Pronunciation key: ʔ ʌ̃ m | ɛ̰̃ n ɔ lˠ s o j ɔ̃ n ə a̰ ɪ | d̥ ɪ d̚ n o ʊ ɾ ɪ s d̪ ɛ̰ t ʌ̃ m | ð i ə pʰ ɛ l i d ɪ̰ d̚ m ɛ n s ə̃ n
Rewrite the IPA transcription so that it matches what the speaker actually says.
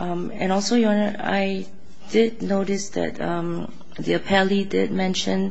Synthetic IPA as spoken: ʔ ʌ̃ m | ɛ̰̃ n ɔ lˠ s o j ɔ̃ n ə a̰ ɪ | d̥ ɪ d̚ n o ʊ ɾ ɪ s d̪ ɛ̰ t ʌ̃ m | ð i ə pʰ ɛ l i d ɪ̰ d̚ m ɛ̃ n ʃ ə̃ n